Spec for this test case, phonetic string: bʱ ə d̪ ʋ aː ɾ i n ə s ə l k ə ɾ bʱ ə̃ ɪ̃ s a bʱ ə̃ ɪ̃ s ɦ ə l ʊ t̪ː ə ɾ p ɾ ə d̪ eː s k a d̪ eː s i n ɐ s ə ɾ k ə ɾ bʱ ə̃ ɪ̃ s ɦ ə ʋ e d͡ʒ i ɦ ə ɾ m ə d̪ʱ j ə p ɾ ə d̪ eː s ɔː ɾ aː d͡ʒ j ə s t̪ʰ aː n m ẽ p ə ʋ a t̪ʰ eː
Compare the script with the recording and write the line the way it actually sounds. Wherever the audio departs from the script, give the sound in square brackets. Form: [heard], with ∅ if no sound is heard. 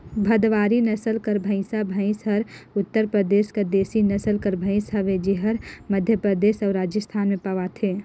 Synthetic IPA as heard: bʱ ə d̪ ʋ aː ɾ i n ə s ə l k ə ɾ bʱ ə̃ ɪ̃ s a bʱ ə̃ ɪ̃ s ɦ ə [ɾ] ʊ t̪ː ə ɾ p ɾ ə d̪ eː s k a d̪ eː s i n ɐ s ə [l] k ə ɾ bʱ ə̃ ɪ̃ s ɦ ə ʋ e d͡ʒ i ɦ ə ɾ m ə d̪ʱ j ə p ɾ ə d̪ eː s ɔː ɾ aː d͡ʒ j ə s t̪ʰ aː n m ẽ p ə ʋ a t̪ʰ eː